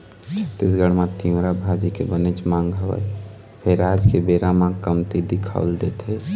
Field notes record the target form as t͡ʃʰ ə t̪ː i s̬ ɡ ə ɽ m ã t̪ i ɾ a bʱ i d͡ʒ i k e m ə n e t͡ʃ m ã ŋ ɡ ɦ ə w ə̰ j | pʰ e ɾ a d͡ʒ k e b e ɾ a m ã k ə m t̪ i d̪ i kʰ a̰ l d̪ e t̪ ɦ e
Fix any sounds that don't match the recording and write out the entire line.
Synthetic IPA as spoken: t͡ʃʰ ə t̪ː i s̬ ɡ ə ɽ m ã t̪ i ɾ a bʱ a d͡ʒ i k e b ə n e t͡ʃ m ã ŋ ɡ ɦ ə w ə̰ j | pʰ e ɾ a d͡ʒ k e b e ɾ a m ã k ə m t̪ i d̪ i kʰ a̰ l d̪ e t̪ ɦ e

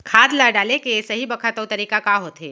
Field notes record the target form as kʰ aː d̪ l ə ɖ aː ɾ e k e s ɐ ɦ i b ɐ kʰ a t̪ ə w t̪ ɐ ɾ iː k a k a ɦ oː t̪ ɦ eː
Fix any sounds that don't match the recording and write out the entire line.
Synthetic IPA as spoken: kʰ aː d̪ l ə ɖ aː l e k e s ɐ ɦ i b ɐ kʰ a t̪ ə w t̪ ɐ ɾ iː k a k a ɦ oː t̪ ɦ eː

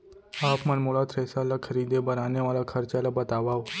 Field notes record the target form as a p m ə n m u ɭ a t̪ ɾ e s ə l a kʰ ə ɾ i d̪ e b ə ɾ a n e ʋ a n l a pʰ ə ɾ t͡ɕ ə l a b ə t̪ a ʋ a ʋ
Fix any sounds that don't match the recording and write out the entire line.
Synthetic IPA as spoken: a p m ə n m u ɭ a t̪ ɾ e s a l a kʰ ə ɾ i d̪ e b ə ɾ a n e ʋ a l a kʰ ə ɾ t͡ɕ a l a b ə t̪ a ʋ a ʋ

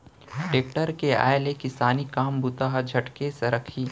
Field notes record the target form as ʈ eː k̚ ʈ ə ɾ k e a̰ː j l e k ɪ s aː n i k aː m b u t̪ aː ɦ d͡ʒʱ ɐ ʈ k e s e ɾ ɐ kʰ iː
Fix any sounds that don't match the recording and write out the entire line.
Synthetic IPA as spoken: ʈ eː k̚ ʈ ə ɾ k e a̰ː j l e k ɪ s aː n i k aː m b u t̪ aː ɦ d͡ʒʱ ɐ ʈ k e s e ɾ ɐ kʰ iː

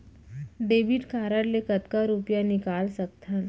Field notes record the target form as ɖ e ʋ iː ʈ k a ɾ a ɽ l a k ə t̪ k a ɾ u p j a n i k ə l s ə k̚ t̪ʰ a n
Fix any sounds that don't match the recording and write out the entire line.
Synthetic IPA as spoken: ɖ e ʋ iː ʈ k a ɾ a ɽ l e k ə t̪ k a ɾ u p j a n i k a l s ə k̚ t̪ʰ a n

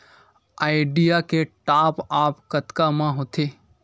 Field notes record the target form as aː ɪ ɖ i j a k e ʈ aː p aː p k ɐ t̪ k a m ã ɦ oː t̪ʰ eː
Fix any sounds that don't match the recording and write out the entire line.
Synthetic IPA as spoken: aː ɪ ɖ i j a k e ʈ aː p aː p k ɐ t̪ k a m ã ɦ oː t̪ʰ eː

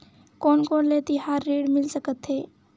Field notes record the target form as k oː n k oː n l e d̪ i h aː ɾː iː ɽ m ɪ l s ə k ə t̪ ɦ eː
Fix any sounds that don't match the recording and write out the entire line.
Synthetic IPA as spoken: k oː n k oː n l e t̪ i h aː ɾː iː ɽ m ɪ l s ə k ə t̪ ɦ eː

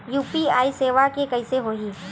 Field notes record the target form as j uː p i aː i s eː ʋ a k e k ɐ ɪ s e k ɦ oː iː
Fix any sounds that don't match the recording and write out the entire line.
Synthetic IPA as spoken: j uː p i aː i s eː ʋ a k e k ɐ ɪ s e ɦ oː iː

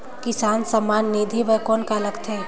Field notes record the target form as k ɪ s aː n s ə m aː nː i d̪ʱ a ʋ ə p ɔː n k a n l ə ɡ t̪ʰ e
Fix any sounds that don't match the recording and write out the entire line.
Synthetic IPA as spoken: k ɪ s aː n s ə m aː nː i d̪ʱ i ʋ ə k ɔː n k a l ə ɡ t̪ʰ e

